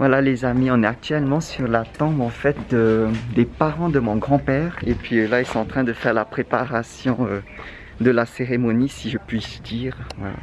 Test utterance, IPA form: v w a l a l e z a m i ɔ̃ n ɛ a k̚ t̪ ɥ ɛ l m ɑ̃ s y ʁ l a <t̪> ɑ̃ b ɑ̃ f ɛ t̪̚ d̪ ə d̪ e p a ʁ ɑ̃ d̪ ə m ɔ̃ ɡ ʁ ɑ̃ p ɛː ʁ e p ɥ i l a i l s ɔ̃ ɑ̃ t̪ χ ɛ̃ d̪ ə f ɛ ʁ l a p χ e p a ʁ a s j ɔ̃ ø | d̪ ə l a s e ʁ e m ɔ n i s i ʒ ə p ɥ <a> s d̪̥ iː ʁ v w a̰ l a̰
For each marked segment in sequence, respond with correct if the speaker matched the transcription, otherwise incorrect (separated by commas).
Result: correct, incorrect